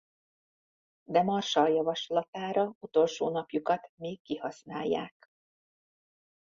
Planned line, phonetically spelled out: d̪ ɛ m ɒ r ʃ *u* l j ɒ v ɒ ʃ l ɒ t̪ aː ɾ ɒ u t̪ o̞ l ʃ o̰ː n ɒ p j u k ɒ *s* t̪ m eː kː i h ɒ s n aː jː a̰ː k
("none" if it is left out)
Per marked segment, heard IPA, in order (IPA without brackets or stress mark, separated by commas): ɒ, none